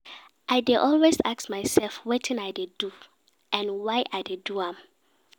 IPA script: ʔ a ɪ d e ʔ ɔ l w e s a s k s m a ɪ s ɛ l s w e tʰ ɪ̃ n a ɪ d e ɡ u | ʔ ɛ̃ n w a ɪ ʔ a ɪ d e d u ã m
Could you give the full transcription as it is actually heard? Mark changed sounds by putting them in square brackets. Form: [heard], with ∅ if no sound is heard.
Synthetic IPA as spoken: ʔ a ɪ d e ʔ ɔ l w e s a [∅] k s m a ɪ s ɛ l [f] w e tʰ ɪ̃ n a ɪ d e [d] u | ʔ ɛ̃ n w a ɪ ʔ a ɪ d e d u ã m